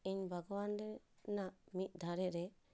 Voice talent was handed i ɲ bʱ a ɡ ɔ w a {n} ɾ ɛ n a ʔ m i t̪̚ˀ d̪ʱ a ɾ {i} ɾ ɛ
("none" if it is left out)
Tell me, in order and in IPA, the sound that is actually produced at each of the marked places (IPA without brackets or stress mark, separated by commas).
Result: n, ɛ